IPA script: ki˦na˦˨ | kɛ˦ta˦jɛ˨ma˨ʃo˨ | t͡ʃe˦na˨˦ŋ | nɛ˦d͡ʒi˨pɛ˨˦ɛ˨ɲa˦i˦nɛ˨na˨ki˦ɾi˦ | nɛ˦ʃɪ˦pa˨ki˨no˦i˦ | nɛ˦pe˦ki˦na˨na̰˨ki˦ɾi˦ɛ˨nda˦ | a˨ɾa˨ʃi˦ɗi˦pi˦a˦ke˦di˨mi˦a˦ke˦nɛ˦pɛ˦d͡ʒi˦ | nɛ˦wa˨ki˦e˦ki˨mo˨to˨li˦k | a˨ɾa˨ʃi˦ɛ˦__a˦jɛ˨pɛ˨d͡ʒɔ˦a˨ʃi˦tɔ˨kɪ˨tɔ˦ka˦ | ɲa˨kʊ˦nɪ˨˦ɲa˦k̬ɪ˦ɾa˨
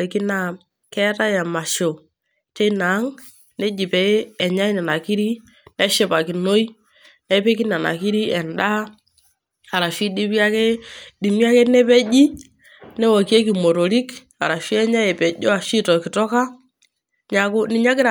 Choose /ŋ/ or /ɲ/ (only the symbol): ɲ